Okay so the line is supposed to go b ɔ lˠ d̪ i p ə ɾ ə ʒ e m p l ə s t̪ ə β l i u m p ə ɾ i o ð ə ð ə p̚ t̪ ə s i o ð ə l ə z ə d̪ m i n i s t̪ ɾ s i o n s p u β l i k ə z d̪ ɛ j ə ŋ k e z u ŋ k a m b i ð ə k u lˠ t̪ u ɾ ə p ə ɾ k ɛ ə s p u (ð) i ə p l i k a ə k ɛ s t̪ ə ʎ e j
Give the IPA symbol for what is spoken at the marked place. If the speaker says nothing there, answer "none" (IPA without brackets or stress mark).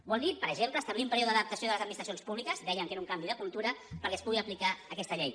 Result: ɣ